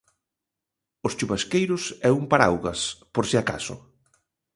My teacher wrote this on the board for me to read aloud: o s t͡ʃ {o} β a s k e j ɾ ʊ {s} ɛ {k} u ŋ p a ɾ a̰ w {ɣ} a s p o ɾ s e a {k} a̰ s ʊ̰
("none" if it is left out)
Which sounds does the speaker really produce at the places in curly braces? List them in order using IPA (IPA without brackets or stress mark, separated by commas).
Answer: u, s, none, ɣ, k